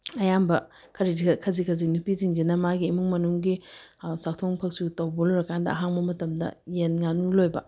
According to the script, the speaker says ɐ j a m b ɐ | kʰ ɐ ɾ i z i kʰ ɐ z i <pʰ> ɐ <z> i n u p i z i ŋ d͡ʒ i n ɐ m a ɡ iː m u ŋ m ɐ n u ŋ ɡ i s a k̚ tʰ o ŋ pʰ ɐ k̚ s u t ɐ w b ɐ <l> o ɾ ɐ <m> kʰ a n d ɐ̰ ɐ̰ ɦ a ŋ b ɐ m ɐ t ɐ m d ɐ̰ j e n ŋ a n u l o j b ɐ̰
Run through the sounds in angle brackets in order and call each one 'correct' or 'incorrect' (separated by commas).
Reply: incorrect, correct, correct, incorrect